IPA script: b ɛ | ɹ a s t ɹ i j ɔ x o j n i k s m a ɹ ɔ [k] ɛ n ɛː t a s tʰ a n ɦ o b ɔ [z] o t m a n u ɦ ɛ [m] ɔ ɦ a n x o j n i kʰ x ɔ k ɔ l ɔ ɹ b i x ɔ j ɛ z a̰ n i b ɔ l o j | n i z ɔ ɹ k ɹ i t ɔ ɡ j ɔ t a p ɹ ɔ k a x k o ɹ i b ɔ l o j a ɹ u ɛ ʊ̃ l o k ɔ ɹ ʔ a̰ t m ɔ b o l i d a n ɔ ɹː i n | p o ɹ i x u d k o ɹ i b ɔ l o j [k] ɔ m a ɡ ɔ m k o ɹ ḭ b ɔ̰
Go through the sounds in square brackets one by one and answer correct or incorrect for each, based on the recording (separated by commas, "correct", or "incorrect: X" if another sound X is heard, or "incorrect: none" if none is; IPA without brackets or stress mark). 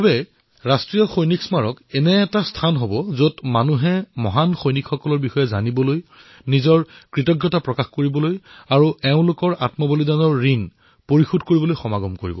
correct, correct, correct, incorrect: x